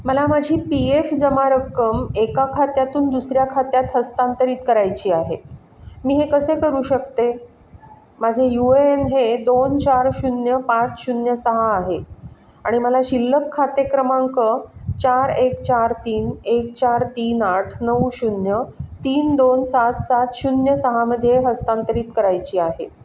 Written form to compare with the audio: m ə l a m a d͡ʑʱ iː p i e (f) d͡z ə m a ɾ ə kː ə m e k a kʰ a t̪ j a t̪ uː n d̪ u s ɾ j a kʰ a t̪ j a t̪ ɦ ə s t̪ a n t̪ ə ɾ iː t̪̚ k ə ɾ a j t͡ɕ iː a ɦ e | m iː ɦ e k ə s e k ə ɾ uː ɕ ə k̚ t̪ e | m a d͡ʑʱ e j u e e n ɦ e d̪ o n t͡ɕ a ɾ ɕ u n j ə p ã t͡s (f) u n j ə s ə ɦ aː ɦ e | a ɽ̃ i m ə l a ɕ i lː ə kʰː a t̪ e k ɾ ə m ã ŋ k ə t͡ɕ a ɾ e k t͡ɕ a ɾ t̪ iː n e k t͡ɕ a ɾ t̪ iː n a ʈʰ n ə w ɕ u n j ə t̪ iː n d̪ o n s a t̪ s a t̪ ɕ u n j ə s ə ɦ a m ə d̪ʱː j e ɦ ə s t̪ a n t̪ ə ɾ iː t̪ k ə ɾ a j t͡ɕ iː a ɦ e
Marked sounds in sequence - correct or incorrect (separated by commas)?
correct, incorrect